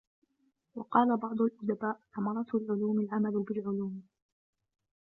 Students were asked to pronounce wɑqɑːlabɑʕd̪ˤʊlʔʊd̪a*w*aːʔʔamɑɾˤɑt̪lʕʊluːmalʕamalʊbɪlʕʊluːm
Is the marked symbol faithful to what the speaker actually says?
no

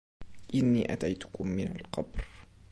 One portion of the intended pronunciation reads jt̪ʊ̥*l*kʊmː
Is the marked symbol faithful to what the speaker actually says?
no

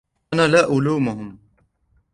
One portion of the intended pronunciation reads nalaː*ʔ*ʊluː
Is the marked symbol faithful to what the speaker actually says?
yes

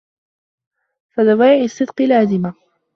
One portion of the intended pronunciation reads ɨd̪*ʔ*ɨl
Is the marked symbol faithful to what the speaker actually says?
no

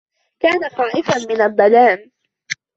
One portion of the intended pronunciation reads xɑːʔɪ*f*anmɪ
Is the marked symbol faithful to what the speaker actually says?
yes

